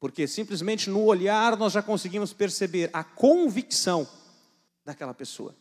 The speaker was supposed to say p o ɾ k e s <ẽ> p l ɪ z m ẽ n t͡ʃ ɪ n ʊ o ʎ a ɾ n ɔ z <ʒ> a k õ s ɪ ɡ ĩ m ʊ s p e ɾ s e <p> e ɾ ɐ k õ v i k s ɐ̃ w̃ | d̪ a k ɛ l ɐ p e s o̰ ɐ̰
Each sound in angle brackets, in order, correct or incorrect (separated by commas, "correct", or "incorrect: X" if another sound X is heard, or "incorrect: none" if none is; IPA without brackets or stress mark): incorrect: ĩ, correct, incorrect: b